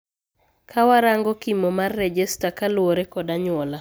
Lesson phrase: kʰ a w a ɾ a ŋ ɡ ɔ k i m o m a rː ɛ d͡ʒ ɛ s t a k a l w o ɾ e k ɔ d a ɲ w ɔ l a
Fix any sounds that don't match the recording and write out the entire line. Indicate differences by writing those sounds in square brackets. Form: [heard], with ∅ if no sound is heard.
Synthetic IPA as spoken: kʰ a w a ɾ a ŋ ɡ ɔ k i m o m a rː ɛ d͡ʒ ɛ s t a k a l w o ɾ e k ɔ d a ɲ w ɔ l a